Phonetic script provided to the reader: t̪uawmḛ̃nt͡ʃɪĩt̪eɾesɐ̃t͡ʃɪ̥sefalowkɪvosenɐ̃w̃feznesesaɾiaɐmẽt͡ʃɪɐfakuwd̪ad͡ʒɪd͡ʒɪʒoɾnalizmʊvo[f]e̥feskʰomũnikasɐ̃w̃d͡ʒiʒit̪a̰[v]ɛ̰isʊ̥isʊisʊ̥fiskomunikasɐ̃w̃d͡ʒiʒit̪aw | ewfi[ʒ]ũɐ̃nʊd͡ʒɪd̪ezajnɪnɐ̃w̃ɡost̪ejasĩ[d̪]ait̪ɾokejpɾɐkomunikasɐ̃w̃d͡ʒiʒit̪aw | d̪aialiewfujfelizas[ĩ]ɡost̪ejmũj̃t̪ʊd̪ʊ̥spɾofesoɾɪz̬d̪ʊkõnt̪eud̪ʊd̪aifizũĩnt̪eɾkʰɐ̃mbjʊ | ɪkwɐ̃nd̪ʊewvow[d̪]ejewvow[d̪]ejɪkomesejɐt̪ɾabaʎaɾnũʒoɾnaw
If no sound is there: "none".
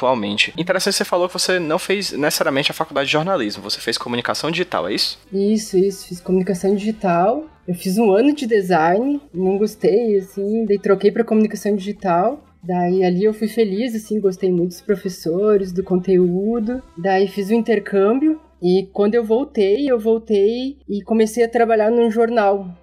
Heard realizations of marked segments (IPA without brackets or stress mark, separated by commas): s, w, z, d̪, ĩ, t̪, t̪